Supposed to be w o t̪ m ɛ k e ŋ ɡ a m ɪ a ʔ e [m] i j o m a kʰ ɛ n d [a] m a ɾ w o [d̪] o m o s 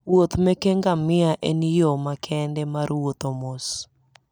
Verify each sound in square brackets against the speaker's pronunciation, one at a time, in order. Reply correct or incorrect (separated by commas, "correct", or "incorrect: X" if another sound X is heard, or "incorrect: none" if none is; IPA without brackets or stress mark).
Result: incorrect: n, incorrect: ɛ, incorrect: t̪